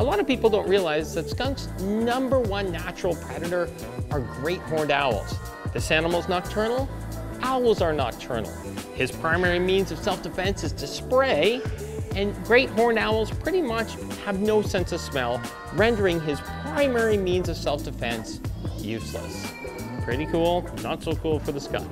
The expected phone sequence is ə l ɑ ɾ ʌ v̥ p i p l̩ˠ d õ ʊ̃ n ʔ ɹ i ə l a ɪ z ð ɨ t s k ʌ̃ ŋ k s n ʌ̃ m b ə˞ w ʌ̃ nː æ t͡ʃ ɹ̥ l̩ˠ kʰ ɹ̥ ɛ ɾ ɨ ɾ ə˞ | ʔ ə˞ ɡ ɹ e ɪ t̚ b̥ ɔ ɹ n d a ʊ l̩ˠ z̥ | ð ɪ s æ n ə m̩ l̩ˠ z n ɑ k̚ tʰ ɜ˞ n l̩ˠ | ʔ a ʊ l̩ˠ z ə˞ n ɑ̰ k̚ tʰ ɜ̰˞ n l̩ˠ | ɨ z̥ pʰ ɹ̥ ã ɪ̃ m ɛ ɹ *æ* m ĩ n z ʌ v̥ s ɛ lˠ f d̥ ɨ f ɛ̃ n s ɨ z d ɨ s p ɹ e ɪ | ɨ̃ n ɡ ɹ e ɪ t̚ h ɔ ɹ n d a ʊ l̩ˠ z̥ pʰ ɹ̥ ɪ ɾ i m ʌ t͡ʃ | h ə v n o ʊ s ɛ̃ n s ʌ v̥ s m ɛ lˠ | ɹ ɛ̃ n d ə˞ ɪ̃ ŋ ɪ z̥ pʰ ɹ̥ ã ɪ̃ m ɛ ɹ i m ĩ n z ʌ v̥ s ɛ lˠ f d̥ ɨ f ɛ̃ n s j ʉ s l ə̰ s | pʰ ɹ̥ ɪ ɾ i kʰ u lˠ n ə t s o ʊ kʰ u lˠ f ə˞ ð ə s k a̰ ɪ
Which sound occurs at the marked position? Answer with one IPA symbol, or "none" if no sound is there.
i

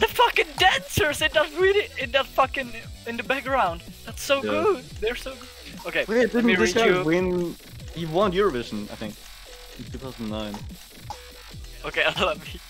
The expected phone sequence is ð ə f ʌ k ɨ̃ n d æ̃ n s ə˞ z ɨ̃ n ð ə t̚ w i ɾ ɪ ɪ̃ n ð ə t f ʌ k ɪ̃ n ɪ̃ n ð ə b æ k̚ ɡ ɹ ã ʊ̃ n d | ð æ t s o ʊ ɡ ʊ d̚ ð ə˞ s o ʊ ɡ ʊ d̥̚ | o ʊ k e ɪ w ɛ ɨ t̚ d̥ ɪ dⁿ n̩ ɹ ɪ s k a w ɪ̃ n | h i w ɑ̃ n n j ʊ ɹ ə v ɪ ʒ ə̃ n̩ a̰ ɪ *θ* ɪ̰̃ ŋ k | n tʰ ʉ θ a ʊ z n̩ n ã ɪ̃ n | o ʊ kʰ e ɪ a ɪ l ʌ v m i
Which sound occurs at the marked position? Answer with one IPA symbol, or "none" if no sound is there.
θ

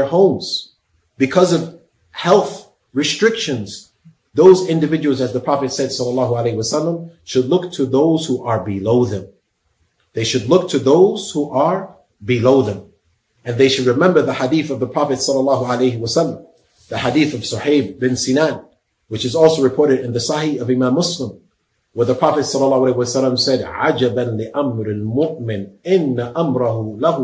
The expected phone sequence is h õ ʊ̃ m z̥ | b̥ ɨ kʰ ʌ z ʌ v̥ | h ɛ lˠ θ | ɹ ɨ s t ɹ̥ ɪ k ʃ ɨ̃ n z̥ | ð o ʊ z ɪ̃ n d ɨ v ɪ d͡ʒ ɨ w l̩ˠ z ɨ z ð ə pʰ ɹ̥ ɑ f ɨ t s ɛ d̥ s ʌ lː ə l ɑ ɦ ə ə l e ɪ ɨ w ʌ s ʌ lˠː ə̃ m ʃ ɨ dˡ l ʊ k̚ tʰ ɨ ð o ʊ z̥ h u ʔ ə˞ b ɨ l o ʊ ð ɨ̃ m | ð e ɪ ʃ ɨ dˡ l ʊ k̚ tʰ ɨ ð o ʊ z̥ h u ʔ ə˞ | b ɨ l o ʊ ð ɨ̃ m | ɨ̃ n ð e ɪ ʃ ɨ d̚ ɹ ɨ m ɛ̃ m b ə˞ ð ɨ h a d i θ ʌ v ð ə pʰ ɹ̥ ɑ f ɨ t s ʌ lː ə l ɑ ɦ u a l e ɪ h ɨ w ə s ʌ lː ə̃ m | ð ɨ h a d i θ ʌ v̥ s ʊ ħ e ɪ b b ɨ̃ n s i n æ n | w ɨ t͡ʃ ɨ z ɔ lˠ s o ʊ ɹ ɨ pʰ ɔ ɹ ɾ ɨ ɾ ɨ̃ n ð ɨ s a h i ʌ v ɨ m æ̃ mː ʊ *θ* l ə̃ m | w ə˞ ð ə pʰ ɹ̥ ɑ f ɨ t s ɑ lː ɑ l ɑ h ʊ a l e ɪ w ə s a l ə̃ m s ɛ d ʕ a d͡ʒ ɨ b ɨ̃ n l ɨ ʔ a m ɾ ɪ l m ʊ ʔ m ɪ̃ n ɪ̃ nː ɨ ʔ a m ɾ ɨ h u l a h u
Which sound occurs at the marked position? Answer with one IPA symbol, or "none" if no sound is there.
s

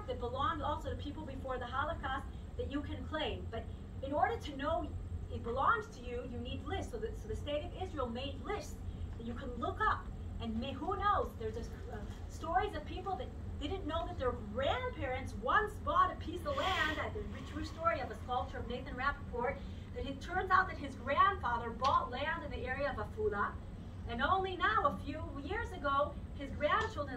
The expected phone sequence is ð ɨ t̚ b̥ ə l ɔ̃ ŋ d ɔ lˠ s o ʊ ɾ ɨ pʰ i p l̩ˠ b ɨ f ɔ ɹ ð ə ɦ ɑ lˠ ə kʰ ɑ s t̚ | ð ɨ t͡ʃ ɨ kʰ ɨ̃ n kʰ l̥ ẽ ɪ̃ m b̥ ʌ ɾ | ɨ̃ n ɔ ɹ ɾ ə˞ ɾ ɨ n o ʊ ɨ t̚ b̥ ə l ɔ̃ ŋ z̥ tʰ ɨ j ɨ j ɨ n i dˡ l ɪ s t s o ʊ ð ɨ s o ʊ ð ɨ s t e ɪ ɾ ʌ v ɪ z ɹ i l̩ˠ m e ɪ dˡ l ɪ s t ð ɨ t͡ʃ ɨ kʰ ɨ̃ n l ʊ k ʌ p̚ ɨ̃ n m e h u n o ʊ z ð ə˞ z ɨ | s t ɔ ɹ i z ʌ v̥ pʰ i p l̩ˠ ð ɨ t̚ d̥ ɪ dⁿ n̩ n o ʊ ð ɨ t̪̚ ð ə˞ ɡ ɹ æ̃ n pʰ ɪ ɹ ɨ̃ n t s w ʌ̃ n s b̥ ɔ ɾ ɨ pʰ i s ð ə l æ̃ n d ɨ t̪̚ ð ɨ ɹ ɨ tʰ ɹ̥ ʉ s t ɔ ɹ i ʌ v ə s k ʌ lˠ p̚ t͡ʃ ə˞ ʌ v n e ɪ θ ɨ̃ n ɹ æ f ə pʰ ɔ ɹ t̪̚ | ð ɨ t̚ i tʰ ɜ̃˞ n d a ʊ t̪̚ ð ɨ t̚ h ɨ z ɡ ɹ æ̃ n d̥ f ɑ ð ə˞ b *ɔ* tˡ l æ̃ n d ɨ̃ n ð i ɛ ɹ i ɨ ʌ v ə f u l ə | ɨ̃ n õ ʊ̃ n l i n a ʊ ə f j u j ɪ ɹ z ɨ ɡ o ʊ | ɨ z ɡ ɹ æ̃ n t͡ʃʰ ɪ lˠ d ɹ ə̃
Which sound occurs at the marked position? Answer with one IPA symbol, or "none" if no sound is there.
ɔ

